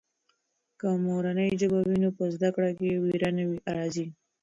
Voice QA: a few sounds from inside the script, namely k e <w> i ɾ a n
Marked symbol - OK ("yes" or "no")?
yes